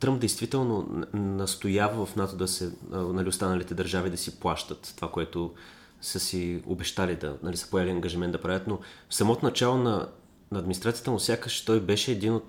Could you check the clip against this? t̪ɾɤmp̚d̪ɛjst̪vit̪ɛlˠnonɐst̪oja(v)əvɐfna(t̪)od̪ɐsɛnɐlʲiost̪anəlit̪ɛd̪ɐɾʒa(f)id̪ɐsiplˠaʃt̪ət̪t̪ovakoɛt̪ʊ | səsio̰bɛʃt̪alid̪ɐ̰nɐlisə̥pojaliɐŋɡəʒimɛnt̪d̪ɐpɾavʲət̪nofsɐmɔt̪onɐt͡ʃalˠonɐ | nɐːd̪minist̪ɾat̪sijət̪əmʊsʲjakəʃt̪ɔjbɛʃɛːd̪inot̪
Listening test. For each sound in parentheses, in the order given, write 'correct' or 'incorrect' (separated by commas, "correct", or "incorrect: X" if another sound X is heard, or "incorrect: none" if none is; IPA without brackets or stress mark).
correct, correct, incorrect: v